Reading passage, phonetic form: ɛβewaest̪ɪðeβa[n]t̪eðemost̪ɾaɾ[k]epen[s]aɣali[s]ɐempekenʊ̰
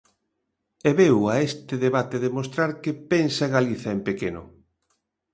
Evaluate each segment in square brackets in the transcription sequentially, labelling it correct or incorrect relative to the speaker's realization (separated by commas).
incorrect, correct, correct, incorrect